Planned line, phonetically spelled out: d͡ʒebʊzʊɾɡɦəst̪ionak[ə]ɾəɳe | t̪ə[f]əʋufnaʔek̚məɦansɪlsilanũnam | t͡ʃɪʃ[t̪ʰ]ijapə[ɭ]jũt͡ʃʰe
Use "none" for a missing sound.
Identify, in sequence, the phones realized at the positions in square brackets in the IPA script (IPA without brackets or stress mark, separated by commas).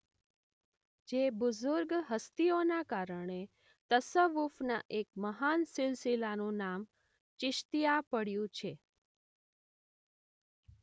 a, s, t̪, ɽ